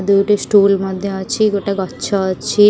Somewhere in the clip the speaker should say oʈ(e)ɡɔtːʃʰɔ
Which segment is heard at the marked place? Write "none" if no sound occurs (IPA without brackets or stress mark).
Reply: a